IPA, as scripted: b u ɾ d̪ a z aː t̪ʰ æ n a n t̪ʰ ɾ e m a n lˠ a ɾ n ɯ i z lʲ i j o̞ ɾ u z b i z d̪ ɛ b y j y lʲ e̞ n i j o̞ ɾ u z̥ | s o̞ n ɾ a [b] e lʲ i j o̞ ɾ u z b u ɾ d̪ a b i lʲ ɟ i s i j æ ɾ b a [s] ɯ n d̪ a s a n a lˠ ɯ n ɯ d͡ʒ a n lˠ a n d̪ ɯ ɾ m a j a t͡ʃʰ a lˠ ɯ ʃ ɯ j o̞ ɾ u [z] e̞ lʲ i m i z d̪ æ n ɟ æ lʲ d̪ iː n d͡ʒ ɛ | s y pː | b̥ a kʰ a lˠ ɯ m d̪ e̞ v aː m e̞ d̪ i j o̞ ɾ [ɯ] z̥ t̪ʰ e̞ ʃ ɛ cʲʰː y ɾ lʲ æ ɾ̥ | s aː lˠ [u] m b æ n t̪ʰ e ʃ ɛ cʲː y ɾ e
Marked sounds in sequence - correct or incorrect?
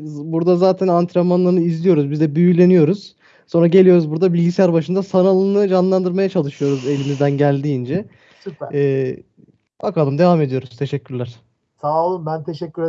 incorrect, incorrect, correct, incorrect, incorrect

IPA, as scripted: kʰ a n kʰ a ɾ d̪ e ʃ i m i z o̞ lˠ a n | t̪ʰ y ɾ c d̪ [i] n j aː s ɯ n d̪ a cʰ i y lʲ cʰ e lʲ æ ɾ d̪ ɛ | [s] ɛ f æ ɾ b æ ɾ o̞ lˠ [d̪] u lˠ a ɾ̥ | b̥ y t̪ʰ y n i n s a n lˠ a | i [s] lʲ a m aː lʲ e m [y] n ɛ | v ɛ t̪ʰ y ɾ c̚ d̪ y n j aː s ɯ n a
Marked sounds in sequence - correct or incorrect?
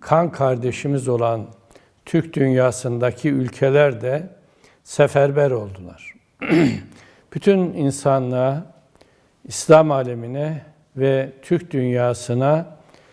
incorrect, correct, correct, correct, incorrect

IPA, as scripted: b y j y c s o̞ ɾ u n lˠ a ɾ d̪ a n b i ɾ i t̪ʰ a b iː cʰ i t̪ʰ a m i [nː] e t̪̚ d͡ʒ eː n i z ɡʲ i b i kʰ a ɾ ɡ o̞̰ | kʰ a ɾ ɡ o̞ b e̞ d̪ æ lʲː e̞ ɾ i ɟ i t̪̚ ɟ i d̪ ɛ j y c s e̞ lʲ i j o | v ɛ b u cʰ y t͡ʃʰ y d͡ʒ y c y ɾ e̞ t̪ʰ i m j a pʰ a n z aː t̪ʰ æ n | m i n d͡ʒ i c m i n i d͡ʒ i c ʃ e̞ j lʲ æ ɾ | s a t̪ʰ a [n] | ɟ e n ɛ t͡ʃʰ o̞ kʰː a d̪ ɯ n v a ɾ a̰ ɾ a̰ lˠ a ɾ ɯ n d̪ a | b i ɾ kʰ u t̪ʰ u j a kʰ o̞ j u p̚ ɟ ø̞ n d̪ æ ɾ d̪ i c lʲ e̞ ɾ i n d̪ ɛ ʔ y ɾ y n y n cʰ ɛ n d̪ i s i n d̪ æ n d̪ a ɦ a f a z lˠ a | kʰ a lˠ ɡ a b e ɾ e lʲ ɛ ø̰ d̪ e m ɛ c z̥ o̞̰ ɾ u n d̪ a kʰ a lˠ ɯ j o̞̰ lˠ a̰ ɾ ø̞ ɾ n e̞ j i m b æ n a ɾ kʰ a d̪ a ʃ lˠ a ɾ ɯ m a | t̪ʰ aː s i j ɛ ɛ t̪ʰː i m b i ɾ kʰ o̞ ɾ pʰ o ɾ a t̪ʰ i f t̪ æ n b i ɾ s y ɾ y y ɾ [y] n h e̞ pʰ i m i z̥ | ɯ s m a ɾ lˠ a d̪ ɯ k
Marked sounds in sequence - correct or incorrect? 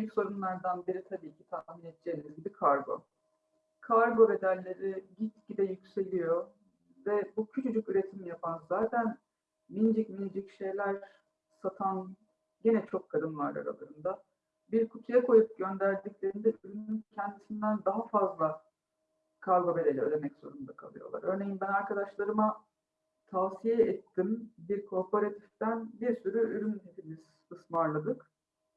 incorrect, correct, correct

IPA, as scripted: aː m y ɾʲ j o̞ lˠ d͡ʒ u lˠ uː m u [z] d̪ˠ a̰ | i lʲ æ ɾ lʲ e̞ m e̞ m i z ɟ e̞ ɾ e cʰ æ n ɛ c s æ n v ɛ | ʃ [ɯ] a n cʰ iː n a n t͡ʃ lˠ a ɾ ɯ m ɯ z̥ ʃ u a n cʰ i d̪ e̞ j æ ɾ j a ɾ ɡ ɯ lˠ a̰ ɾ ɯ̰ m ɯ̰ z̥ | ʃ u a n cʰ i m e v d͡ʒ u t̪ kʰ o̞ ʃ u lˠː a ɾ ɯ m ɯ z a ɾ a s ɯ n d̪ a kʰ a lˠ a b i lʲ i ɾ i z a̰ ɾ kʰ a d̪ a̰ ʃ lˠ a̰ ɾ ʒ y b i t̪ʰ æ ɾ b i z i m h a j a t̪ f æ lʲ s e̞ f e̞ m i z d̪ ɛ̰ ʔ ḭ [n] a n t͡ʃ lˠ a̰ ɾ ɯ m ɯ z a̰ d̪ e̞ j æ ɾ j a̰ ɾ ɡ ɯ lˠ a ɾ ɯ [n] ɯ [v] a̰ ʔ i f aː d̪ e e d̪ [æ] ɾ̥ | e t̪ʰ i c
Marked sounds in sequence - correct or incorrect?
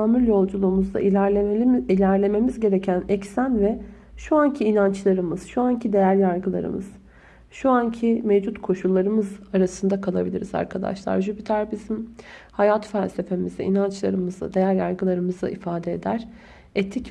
correct, incorrect, correct, incorrect, incorrect, correct

